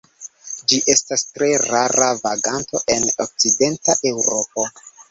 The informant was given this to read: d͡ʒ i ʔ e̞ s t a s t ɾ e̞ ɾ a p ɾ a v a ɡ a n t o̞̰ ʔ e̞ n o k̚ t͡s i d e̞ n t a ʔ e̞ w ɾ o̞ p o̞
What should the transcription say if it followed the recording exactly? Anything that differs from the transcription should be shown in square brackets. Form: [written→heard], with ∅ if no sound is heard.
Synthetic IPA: d͡ʒ i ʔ e̞ s t a s t ɾ e̞ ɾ a [p→∅] ɾ a v a ɡ a n t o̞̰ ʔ e̞ n o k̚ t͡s i d e̞ n t a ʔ e̞ w ɾ o̞ p o̞